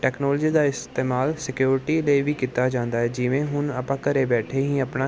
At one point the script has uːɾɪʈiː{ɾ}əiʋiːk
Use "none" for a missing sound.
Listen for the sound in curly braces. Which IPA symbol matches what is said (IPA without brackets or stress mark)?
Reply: l